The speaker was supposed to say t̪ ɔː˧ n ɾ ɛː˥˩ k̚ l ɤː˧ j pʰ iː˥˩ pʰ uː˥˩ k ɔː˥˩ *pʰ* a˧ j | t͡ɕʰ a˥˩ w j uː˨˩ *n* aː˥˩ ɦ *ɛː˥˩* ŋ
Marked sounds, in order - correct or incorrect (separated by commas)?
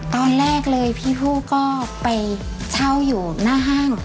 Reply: incorrect, correct, incorrect